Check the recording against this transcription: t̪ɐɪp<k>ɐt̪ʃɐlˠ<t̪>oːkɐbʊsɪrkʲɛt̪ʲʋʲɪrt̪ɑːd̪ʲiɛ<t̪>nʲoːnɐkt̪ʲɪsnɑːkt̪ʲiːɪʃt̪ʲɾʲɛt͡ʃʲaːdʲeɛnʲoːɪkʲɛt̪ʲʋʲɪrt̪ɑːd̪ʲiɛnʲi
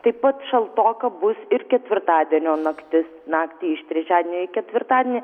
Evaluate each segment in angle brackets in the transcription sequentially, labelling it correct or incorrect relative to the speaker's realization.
incorrect, correct, incorrect

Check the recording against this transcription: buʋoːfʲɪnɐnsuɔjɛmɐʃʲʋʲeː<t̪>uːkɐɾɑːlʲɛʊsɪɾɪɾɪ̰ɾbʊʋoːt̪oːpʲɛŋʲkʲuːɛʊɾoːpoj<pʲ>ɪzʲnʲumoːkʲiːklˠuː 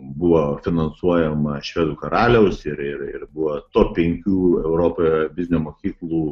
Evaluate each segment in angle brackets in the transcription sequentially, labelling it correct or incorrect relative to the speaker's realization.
incorrect, incorrect

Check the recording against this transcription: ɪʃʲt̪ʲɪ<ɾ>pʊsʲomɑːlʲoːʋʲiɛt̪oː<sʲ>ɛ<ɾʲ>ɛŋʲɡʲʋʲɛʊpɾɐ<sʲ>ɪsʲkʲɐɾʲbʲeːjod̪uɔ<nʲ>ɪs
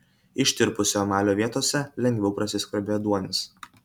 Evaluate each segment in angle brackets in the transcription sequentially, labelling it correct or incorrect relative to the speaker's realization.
correct, correct, incorrect, correct, correct

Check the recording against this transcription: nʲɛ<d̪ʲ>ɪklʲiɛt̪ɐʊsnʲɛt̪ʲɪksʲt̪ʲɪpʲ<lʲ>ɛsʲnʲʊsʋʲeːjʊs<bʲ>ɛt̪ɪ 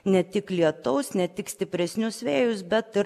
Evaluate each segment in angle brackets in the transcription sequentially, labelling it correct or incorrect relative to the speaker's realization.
incorrect, incorrect, correct

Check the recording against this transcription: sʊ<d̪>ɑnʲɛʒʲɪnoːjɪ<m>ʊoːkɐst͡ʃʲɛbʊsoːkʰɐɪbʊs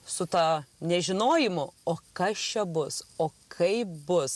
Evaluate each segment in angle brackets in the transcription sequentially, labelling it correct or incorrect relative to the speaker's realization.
incorrect, correct

